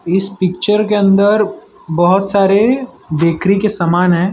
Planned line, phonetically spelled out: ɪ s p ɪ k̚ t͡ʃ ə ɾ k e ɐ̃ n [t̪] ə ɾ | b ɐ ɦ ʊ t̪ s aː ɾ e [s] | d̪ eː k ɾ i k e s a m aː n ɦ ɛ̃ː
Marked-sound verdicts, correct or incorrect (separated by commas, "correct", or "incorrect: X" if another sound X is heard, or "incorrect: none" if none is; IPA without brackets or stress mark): incorrect: d̪, incorrect: none